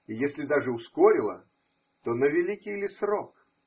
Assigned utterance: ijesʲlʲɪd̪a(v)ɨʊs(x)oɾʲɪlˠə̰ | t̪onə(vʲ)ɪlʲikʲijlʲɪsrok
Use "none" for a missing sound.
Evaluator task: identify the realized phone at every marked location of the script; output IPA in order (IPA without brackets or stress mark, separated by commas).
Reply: ʐ, k, vʲ